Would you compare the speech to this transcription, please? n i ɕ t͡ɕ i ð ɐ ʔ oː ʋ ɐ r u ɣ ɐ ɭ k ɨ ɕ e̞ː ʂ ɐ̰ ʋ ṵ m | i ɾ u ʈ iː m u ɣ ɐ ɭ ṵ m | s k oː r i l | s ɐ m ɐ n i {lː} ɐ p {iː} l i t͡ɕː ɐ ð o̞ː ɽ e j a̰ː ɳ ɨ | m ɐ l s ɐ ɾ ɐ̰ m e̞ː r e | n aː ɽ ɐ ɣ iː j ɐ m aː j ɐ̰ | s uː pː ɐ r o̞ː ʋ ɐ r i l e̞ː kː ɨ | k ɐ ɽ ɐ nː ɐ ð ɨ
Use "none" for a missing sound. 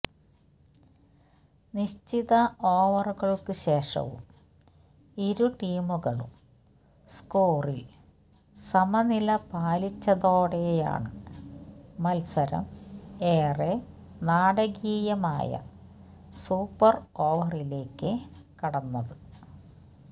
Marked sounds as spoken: l, aː

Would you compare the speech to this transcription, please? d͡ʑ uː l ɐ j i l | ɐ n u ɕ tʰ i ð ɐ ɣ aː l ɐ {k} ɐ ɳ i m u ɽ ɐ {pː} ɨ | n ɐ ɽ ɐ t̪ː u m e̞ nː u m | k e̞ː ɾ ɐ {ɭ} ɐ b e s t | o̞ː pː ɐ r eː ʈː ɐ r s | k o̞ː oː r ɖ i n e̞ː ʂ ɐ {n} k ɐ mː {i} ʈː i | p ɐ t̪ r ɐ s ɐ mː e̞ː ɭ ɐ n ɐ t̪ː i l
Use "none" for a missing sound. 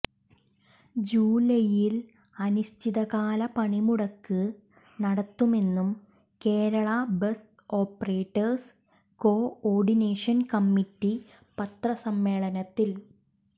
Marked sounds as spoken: p, kː, ɭ, n, i

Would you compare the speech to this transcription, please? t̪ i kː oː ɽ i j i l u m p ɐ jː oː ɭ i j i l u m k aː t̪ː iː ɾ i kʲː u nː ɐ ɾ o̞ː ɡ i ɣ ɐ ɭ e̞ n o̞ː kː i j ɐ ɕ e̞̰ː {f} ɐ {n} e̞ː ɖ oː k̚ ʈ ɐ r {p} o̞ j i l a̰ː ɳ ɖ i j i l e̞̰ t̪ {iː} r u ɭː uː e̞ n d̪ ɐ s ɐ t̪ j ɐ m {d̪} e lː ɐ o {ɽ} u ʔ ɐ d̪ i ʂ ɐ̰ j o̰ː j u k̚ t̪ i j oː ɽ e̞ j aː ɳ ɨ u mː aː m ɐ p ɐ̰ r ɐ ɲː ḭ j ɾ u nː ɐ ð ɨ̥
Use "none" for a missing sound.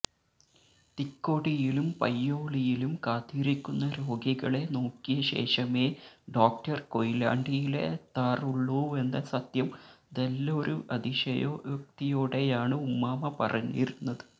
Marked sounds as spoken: ʂ, m, k, aː, d̪, ɾ

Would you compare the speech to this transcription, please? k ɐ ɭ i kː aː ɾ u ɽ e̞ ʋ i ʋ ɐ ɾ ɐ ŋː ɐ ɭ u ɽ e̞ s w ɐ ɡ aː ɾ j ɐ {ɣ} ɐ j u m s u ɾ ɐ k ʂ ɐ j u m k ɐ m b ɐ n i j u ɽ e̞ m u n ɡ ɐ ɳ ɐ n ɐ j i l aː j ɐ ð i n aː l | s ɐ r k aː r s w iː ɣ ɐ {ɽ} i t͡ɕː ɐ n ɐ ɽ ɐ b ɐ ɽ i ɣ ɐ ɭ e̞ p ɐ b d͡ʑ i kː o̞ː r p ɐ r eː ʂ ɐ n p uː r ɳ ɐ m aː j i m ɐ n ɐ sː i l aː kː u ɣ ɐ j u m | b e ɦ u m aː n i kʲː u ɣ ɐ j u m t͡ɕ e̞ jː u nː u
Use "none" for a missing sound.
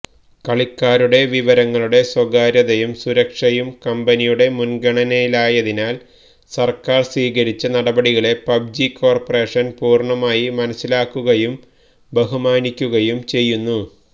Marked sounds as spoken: ð, ɾ

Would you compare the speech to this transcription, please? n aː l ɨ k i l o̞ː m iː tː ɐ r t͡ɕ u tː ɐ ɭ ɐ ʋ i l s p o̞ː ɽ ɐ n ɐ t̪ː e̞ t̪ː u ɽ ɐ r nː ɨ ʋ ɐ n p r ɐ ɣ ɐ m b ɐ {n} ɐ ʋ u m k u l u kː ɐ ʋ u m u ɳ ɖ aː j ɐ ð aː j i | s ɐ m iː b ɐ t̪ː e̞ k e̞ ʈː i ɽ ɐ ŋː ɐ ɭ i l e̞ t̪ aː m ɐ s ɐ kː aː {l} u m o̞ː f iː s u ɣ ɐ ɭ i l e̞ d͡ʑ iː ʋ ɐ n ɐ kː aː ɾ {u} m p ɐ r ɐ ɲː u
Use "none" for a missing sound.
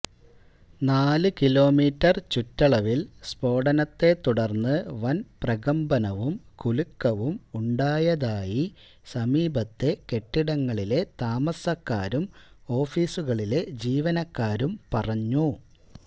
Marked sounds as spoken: n, ɾ, u

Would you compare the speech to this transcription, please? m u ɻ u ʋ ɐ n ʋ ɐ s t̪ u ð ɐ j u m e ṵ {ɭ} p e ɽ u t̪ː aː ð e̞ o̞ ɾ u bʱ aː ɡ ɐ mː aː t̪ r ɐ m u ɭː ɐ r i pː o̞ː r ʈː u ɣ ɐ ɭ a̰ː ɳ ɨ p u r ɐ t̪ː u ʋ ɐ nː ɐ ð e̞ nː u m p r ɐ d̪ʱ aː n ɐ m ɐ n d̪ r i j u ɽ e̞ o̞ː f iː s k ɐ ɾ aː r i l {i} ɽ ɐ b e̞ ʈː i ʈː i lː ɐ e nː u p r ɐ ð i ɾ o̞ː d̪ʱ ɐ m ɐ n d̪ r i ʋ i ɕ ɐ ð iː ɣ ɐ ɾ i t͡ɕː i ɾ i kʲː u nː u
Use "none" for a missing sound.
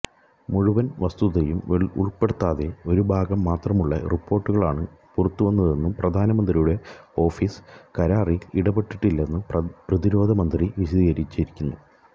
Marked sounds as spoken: ɭ, i

